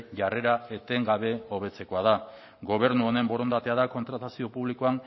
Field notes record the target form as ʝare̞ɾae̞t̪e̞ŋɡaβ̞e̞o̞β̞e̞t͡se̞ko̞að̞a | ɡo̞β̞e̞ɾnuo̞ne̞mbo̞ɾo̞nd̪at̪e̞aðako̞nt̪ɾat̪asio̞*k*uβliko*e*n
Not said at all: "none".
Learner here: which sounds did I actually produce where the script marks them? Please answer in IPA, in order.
p, a

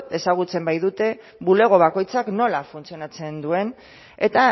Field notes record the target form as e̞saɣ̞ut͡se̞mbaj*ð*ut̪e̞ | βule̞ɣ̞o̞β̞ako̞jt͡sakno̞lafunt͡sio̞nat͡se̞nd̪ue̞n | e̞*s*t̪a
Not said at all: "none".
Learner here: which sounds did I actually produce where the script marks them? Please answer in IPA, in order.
ð, none

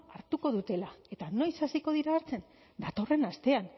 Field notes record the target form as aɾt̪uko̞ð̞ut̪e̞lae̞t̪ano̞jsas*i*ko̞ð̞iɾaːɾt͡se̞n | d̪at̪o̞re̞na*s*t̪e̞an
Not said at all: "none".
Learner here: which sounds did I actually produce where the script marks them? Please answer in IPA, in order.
i, s

